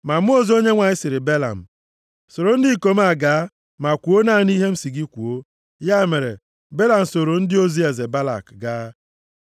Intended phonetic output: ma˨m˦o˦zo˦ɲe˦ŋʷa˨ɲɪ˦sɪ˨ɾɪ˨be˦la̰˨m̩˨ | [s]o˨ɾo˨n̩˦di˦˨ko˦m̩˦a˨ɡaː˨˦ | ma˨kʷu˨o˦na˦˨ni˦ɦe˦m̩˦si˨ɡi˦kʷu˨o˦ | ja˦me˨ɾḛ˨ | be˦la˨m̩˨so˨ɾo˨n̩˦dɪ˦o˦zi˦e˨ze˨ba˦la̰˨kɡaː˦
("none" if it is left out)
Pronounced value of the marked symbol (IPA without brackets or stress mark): s